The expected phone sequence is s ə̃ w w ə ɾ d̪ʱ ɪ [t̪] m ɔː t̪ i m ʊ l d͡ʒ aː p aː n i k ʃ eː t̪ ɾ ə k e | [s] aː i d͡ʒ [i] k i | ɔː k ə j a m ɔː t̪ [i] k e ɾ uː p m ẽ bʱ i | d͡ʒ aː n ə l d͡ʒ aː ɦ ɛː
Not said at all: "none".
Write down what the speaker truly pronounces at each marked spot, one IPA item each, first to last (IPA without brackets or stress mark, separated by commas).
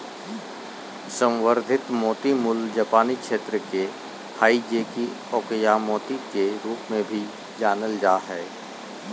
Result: t̪, h, e, i